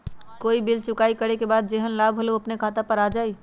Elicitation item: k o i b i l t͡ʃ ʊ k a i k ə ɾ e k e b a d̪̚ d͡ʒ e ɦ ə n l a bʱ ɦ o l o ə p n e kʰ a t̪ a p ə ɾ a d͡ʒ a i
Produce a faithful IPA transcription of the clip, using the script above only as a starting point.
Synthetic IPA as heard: k o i b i l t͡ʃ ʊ k a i k ə ɾ e k e b a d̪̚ d͡ʒ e ɦ ə n l a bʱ ɦ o l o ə p n e kʰ a t̪ a p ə ɾ a d͡ʒ a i

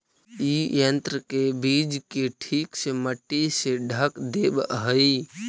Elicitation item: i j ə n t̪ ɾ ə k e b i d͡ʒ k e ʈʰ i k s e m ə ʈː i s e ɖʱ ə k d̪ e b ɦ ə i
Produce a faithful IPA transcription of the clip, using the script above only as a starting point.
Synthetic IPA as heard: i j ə n t̪ ɾ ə k e b i d͡ʒ k e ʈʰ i k s e m ə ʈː i s e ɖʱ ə k d̪ e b ɦ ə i

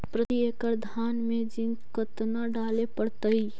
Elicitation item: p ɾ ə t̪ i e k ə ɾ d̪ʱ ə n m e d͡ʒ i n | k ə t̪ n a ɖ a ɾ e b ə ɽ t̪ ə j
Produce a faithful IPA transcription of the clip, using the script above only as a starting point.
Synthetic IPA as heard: p ɾ ə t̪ i e k ə ɾ d̪ʱ a n m e d͡ʒ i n | k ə t̪ n a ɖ a l e p ə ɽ t̪ ə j

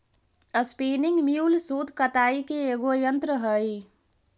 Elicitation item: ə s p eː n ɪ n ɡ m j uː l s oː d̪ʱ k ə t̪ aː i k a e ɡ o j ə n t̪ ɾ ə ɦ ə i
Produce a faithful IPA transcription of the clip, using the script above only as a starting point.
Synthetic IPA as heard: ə s p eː n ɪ ŋ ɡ m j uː l s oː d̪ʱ k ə t̪ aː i k e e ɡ o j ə n t̪ ɾ ə ɦ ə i

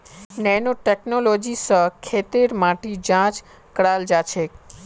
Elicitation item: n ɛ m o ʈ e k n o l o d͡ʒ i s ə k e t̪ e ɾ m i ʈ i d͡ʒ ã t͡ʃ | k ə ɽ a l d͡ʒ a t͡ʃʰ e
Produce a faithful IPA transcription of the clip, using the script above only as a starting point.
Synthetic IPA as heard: n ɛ n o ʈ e k n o l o d͡ʒ i s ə kʰ e t̪ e ɾ m a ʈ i d͡ʒ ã t͡ʃ | k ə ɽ a l d͡ʒ a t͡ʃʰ e

